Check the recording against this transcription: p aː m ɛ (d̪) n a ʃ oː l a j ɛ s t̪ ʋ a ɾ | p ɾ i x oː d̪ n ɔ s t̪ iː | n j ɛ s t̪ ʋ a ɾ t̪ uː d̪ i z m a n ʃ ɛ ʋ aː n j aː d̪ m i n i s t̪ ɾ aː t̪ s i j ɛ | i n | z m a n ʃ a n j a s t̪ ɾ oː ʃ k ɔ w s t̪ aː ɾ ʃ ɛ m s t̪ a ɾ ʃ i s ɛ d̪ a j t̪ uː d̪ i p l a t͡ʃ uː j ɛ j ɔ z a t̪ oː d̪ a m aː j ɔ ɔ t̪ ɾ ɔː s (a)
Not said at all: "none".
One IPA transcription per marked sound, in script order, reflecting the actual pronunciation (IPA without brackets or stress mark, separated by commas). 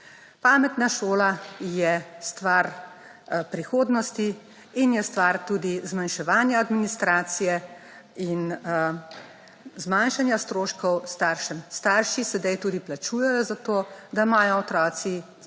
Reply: t̪, i